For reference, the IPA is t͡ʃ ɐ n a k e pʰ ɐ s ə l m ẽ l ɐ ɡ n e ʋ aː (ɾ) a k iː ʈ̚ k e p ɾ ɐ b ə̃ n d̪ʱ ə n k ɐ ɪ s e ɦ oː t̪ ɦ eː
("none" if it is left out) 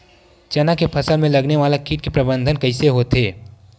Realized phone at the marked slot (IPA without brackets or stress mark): l